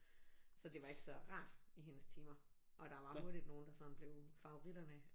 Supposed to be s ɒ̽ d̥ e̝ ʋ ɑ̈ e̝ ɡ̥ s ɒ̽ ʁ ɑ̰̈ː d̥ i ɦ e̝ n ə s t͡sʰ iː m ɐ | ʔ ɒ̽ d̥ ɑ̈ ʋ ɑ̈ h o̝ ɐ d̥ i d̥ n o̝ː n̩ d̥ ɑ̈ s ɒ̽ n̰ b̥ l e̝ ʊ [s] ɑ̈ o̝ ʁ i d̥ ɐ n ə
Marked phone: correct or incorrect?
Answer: incorrect